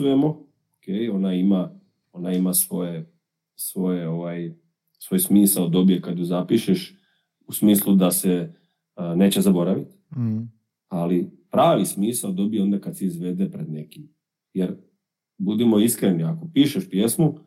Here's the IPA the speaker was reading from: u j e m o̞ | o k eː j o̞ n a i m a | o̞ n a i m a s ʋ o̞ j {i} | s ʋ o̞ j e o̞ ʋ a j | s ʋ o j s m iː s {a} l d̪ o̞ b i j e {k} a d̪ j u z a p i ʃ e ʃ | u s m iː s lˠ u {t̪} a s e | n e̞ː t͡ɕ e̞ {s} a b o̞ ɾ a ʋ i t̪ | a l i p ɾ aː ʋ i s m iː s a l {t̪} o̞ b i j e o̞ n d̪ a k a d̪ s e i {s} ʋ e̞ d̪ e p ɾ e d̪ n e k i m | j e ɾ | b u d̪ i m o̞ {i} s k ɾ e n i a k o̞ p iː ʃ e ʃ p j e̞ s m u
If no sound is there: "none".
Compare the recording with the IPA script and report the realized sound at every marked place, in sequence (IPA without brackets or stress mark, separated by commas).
e, a, k, d̪, z, d̪, z, i